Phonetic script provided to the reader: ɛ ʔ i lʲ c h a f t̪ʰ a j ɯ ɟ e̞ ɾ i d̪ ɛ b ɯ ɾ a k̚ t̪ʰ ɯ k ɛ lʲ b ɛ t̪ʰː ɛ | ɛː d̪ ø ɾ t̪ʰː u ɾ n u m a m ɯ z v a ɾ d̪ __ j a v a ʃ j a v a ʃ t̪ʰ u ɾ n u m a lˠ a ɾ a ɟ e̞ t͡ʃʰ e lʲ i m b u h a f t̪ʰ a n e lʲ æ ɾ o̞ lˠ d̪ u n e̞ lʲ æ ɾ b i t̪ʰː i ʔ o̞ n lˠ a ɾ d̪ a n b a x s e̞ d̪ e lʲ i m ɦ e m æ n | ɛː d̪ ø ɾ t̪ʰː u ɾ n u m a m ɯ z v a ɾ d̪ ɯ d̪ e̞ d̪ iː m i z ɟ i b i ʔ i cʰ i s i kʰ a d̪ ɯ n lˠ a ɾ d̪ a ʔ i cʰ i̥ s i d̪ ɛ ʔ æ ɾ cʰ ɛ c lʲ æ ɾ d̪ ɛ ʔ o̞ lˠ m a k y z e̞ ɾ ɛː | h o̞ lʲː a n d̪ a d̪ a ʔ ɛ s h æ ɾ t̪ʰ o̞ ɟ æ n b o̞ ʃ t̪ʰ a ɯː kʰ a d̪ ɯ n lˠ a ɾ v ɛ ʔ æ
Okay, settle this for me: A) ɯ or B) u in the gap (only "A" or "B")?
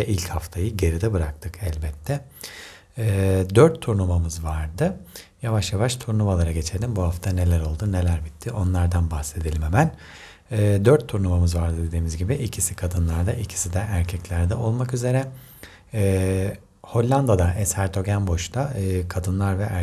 A